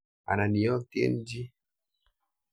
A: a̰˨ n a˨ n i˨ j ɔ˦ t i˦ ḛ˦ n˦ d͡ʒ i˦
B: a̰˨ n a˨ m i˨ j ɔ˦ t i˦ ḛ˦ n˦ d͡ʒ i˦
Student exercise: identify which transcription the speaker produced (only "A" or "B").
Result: A